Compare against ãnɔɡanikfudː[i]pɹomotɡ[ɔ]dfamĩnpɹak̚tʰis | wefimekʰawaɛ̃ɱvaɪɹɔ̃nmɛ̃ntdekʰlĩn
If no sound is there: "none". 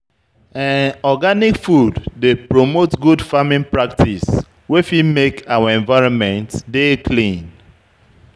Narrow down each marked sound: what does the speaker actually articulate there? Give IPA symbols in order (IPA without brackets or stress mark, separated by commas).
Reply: e, u